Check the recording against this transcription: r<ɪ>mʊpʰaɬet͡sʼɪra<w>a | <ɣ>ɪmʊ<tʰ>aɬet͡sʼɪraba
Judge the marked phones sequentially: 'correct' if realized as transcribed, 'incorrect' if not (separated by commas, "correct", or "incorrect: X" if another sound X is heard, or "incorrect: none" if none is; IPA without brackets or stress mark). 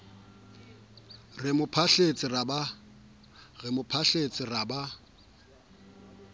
correct, incorrect: b, correct, incorrect: pʰ